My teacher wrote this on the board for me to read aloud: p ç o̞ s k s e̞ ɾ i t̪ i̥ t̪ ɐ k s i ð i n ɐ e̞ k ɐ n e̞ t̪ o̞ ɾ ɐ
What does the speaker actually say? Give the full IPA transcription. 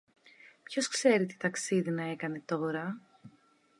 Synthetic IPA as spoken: p ç o̞ s k s e̞ ɾ i t̪ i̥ t̪ ɐ k s i ð i n ɐ e̞ k ɐ n e̞ t̪ o̞ ɾ ɐ